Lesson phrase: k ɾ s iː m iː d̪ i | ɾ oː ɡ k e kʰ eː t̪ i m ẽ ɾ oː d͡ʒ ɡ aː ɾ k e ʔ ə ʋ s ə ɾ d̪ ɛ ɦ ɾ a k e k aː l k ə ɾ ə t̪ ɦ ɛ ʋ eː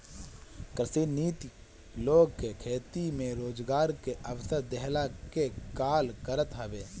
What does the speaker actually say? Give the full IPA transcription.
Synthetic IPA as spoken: k ɾ s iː n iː t̪ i | l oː ɡ k e kʰ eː t̪ i m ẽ ɾ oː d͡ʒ ɡ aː ɾ k e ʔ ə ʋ s ə ɾ d̪ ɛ ɦ l a k e k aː l k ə ɾ ə t̪ ɦ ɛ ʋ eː